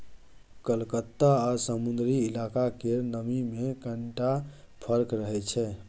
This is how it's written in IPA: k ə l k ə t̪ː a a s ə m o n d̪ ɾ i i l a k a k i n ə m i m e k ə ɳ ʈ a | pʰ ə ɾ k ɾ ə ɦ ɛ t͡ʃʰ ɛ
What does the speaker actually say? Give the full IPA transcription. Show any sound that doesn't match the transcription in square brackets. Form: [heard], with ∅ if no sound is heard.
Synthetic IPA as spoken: k ə l k ə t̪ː a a s ə m [u] n d̪ ɾ i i l a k a k [e] n ə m i m e k ə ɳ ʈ a | pʰ ə ɾ k ɾ ə ɦ ɛ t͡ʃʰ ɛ